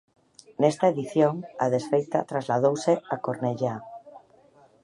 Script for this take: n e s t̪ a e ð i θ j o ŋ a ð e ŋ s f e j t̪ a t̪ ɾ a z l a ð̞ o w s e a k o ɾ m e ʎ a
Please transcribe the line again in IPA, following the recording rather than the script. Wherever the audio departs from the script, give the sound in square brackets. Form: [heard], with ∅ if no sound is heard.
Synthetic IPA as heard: n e s t̪ a e ð i θ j o ŋ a ð e [∅] s f e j t̪ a t̪ ɾ a z l a ð̞ o w s e a k o ɾ [n] e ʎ a